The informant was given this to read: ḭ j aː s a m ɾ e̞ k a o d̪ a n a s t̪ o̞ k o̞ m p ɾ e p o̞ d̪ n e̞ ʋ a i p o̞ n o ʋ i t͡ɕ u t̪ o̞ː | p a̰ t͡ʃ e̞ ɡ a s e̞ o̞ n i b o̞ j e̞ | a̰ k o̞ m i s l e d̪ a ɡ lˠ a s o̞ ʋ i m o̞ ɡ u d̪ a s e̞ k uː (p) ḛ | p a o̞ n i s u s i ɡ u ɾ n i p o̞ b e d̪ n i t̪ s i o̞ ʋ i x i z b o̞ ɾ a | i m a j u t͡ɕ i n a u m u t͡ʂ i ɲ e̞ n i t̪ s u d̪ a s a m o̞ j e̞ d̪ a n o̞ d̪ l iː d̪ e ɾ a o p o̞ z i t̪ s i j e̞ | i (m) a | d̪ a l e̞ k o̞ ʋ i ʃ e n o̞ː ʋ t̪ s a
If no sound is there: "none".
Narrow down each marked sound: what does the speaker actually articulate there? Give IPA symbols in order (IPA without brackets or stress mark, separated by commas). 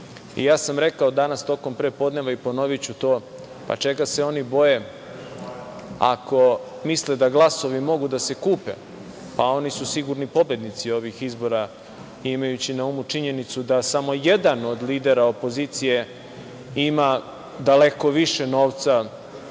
p, m